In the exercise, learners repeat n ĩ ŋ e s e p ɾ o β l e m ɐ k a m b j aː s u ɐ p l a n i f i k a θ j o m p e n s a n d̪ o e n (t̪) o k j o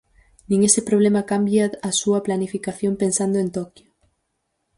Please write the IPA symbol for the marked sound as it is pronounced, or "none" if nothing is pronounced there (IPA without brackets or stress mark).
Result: t̪